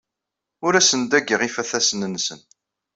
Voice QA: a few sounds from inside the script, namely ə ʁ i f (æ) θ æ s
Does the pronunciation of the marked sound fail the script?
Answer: no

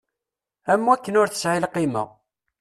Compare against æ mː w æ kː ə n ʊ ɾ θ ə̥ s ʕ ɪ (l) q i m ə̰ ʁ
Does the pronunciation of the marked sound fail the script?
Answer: no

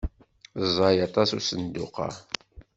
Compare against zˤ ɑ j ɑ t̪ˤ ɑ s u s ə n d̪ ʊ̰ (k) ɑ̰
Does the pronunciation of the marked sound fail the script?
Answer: yes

